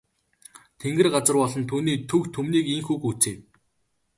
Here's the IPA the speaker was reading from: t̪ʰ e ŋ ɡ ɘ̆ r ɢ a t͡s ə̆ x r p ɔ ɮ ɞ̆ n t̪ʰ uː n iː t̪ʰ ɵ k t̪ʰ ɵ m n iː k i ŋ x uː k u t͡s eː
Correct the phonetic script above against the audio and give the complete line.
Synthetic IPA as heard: t̪ʰ e ŋ ɡ ɘ̆ r ɢ a t͡s ə̆ r p ɔ ɮ ɞ̆ n t̪ʰ uː n iː t̪ʰ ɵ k t̪ʰ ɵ m n iː k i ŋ x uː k u t͡s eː